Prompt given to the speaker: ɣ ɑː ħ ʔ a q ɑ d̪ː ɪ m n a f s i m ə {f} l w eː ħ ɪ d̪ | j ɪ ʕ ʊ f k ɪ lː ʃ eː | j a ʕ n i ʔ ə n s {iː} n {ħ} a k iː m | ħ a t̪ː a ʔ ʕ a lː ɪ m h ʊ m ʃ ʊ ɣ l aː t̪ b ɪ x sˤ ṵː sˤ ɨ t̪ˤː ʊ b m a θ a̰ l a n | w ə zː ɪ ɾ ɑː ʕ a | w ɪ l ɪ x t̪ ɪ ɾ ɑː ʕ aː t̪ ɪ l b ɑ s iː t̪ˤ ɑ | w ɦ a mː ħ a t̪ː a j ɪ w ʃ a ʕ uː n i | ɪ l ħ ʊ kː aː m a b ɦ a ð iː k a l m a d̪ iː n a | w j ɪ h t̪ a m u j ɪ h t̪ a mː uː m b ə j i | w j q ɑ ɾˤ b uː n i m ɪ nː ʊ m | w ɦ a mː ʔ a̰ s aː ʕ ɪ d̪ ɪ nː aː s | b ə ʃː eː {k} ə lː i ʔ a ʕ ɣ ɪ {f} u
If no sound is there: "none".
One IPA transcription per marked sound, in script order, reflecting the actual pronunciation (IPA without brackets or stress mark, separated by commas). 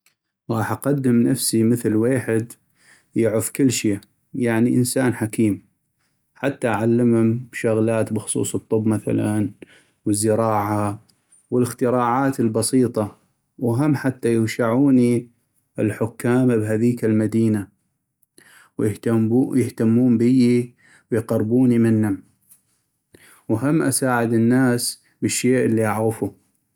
θ, aː, ħ, ʔ, f